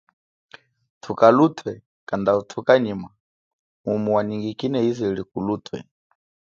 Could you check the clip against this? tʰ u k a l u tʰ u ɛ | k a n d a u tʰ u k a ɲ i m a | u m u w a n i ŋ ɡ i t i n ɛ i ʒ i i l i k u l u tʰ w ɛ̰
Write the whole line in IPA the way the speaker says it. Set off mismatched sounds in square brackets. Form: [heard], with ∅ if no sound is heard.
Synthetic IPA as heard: tʰ u k a l u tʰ [w] ɛ | k a n d a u tʰ u k a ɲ i m a | u m u w a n i ŋ ɡ i [k] i n ɛ i [z] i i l i k u l u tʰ w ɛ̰